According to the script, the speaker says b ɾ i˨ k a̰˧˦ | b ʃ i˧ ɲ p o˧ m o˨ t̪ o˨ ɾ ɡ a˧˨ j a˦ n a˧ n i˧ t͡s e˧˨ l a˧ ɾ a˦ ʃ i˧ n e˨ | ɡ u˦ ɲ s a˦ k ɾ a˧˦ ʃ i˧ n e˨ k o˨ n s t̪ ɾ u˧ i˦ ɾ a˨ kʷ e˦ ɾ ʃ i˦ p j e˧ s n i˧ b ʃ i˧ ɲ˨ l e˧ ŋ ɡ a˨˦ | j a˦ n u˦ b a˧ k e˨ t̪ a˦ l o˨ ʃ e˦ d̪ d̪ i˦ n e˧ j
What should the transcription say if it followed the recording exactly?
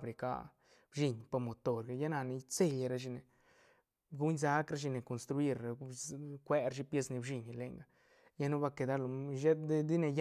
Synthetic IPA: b ɾ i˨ k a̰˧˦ | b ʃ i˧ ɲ p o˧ m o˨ t̪ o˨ ɾ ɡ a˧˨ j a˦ n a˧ n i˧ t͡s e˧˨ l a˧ ɾ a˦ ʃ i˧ n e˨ | ɡ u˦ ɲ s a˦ k ɾ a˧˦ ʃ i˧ n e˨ k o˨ n s t̪ ɾ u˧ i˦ ɾ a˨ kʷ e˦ ɾ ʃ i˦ p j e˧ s n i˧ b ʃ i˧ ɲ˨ l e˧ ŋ ɡ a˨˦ | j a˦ n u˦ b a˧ k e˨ d̪ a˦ l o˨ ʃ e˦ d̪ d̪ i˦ n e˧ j

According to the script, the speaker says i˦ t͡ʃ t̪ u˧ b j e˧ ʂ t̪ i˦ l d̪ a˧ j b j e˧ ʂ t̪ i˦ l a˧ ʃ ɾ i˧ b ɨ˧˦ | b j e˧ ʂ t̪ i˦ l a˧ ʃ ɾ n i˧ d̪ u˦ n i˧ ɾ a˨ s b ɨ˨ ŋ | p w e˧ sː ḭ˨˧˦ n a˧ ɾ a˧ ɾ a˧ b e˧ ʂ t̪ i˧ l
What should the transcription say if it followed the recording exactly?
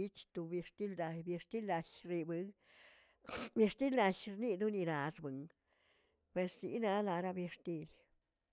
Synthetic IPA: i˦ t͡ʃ t̪ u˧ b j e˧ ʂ t̪ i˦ l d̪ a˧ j b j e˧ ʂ t̪ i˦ l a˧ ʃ ɾ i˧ b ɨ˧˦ | b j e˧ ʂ t̪ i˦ l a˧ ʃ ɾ n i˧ d̪ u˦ n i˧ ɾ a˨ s b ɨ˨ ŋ | p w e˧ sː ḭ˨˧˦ n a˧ l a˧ ɾ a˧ b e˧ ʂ t̪ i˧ l

